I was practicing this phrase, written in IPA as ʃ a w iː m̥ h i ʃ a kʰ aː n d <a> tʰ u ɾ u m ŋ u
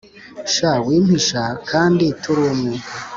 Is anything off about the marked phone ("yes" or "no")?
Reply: yes